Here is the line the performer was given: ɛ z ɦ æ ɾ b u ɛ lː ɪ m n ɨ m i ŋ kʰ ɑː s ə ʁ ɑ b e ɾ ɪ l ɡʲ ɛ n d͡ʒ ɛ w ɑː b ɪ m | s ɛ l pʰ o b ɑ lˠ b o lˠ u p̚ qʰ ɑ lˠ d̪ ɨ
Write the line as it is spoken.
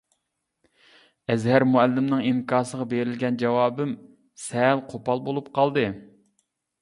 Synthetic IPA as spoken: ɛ z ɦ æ ɾ m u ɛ lː ɪ m n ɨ ŋ i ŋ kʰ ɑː s ə ʁ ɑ b e ɾ ɪ l ɡʲ ɛ n d͡ʒ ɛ w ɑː b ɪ m | s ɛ l qʰ o p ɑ lˠ b o lˠ u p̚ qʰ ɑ lˠ d̪ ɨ

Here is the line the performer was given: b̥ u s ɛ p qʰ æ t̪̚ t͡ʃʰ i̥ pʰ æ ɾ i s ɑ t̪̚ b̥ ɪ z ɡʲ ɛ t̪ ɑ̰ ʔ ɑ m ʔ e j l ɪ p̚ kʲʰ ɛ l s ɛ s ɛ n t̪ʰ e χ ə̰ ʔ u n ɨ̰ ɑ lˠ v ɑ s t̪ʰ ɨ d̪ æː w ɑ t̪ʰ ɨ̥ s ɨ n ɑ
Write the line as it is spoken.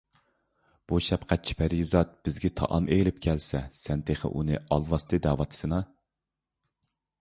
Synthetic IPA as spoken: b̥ u ʃ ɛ p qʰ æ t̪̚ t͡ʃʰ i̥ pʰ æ ɾ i z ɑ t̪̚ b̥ ɪ z ɡʲ ɛ t̪ʰ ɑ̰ ʔ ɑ m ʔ e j l ɪ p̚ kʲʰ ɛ l s ɛ s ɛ n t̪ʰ e χ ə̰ ʔ u n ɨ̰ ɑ lˠ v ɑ s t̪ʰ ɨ d̪ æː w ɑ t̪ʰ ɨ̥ s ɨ n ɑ

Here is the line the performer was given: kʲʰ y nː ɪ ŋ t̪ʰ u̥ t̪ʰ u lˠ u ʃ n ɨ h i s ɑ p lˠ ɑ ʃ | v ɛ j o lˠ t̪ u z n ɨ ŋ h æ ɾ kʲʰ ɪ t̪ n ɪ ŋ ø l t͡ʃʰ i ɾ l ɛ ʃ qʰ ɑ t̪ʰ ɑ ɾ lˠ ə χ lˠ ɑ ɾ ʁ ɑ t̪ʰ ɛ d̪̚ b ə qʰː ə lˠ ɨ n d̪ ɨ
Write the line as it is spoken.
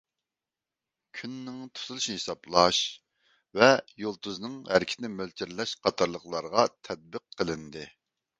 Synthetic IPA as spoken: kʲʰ y nː ɪ ŋ t̪ʰ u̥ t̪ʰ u lˠ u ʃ n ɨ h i s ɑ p lˠ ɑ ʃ | v ɛ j o lˠ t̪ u z n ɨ ŋ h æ ɾ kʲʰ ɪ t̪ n ɪ m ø l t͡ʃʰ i ɾ l ɛ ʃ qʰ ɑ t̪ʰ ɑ ɾ lˠ ə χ lˠ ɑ ɾ ʁ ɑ t̪ʰ ɛ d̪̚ b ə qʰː ə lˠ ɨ n d̪ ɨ

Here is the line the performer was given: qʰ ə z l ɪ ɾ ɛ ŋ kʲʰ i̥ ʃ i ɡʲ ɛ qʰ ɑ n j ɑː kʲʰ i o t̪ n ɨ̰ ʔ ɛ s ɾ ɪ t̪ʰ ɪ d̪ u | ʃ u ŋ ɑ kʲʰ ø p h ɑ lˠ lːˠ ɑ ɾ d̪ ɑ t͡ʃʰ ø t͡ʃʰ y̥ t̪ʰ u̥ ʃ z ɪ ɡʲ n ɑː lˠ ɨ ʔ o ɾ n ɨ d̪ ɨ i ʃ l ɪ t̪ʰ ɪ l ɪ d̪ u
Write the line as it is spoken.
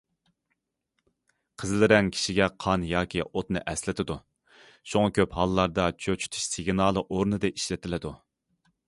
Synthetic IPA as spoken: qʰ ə z l ɪ ɾ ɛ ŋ kʲʰ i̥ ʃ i ɡʲ ɛ qʰ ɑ n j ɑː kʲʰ i o t̪ n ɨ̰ ʔ ɛ s l ɪ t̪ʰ ɪ d̪ u | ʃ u ŋ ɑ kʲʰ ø p h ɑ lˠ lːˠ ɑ ɾ d̪ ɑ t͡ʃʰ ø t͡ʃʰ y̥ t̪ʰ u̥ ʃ s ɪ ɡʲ n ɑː lˠ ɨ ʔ o ɾ n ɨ d̪ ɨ i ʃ l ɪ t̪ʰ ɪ l ɪ d̪ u

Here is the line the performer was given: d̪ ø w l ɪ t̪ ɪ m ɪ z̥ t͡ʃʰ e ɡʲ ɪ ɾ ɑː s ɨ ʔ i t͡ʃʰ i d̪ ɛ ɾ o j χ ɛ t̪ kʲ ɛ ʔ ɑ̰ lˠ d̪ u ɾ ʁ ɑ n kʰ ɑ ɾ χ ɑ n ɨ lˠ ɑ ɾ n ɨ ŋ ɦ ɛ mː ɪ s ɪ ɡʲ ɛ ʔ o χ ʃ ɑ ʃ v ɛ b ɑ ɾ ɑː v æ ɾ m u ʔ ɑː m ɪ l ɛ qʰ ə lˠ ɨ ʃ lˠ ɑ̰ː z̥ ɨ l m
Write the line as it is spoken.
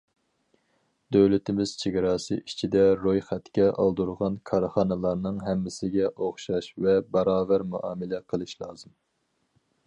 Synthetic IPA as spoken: d̪ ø w l ɪ t̪ ɪ m ɪ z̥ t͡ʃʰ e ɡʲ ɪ ɾ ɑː s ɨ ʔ i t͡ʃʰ i d̪ ɛ ɾ o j χ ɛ t̪ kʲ ɛ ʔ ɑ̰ lˠ d̪ u ɾ ʁ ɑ n kʰ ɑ ɾ χ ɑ n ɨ lˠ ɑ ɾ n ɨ ŋ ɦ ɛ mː ɪ s ɪ ɡʲ ɛ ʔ o χ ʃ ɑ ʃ v ɛ b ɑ ɾ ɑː v æ ɾ m u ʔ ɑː m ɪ l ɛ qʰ ə lˠ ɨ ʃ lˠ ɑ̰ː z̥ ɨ m

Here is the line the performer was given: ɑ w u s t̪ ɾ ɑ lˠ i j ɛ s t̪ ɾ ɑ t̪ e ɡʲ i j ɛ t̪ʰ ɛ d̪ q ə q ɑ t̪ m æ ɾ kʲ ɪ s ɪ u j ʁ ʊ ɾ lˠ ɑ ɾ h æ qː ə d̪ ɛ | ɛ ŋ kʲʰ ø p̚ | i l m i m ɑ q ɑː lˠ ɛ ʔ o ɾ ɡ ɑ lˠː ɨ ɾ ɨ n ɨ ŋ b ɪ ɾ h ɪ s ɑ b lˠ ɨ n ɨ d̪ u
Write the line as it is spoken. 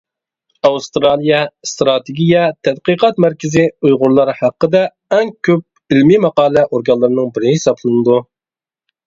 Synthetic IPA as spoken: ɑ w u s t̪ ɾ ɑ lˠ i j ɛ s t̪ ɾ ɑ t̪ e ɡʲ i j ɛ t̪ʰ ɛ d̪ q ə q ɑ t̪ m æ ɾ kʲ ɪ z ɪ u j ʁ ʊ ɾ lˠ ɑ ɾ h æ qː ə d̪ ɛ | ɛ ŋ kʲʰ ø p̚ | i l m i m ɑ q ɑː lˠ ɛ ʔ o ɾ ɡ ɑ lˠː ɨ ɾ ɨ n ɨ ŋ b ɪ ɾ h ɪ s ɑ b lˠ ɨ n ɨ d̪ u

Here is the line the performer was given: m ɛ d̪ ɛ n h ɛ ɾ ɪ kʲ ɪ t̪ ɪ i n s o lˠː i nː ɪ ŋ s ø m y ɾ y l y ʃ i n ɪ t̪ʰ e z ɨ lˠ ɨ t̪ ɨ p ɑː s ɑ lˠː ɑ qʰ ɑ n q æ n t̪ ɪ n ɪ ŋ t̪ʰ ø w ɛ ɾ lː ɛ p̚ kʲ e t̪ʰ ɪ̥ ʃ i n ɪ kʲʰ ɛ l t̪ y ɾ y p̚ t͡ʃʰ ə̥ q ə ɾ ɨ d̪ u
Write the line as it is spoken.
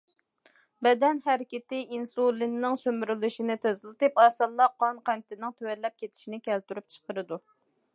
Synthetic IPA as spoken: b ɛ d̪ ɛ n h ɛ ɾ ɪ kʲ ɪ t̪ ɪ i n s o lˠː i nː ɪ ŋ s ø m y ɾ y l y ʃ i n ɪ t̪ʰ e z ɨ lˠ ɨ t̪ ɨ p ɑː s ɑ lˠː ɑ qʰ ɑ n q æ n t̪ ɪ n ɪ ŋ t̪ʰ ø w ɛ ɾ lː ɛ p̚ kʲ e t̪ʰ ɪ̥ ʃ i n ɪ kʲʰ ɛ l t̪ y ɾ y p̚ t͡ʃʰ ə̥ q ə ɾ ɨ d̪ u

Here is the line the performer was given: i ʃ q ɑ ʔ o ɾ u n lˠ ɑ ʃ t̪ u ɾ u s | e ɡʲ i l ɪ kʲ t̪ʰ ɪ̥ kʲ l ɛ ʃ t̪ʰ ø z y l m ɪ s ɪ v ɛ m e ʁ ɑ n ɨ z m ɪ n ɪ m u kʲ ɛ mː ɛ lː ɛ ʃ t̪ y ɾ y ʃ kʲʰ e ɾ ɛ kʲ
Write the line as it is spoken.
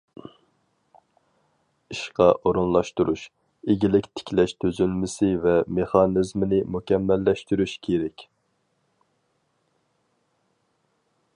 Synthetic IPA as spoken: i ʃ q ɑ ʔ o ɾ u n lˠ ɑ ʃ t̪ u ɾ u ʃ | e ɡʲ i l ɪ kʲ t̪ʰ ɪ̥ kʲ l ɛ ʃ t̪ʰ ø z y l m ɪ s ɪ v ɛ m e χ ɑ n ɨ z m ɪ n ɪ m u kʲ ɛ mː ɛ lː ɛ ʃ t̪ y ɾ y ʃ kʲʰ e ɾ ɛ kʲ

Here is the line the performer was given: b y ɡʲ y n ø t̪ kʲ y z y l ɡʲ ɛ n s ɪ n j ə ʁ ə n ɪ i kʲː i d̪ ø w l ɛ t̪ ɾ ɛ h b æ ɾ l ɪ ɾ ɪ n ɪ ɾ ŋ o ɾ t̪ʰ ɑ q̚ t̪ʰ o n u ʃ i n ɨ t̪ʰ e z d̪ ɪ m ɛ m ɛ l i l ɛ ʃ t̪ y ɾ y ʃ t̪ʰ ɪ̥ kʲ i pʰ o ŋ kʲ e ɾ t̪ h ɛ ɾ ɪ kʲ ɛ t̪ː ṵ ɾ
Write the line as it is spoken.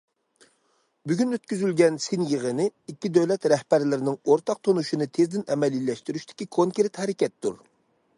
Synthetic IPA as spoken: b y ɡʲ y n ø t̪ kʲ y z y l ɡʲ ɛ n s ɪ n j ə ʁ ə n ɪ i kʲː i d̪ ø w l ɛ t̪ ɾ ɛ h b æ ɾ l ɪ ɾ ɪ n ɪ ŋ o ɾ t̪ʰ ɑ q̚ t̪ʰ o n u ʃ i n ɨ t̪ʰ e z d̪ ɪ n ɛ m ɛ l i l ɛ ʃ t̪ y ɾ y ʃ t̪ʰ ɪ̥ kʲ i kʰ o ŋ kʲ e ɾ t̪ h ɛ ɾ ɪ kʲ ɛ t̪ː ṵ ɾ

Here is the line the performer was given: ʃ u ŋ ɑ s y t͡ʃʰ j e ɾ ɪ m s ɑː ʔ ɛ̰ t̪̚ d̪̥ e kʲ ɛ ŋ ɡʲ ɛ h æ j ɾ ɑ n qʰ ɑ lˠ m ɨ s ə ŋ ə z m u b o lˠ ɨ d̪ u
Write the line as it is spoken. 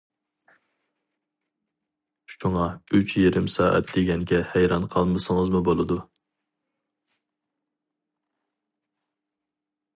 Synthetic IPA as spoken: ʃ u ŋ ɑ y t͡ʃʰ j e ɾ ɪ m s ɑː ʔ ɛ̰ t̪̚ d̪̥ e ɡʲ ɛ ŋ ɡʲ ɛ h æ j ɾ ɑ n qʰ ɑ lˠ m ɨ s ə ŋ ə z m u b o lˠ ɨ d̪ u

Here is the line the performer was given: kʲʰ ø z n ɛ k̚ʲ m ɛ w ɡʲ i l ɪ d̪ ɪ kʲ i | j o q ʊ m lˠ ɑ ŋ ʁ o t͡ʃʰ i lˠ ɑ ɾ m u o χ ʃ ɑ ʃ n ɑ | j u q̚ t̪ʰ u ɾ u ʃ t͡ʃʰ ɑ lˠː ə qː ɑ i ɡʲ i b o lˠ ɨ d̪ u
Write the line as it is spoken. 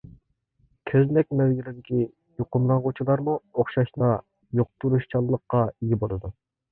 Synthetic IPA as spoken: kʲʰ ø z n ɛ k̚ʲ m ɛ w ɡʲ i l ɪ d̪ ɪ kʲ i | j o q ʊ m lˠ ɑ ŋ ʁ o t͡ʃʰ i lˠ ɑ ɾ m u o χ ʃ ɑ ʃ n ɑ | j o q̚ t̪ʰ u ɾ u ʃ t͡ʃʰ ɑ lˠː ə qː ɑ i ɡʲ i b o lˠ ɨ d̪ u

